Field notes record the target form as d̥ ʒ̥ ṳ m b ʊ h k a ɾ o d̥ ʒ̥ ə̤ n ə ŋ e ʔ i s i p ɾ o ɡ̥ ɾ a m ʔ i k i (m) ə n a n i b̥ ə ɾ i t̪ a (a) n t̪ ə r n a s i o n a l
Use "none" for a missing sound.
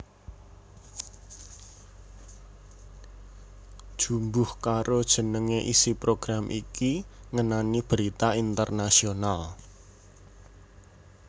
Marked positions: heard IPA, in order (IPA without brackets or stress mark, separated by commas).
ŋ, i